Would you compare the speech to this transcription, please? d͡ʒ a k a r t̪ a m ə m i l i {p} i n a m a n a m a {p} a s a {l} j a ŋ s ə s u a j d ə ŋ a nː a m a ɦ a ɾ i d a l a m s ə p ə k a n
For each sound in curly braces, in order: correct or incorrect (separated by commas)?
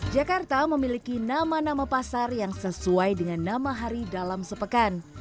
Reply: incorrect, correct, incorrect